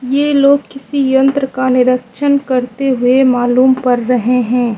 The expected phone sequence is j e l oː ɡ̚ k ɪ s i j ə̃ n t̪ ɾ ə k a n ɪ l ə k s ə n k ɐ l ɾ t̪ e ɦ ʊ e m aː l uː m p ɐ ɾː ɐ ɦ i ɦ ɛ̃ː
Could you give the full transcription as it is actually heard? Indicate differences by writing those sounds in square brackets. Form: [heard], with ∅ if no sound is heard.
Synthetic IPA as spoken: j e l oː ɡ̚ k ɪ s i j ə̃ n t̪ ɾ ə k a n ɪ [ɾ] ə k [ʃ] ə n k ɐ [∅] ɾ t̪ e ɦ ʊ e m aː l uː m p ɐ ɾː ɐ ɦ [e] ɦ ɛ̃ː